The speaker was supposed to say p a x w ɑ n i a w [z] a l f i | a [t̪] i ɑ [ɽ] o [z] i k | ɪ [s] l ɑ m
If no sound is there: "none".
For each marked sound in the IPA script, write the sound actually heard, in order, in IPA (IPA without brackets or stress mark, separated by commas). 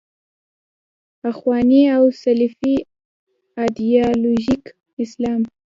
s, d̪, l, ʒ, s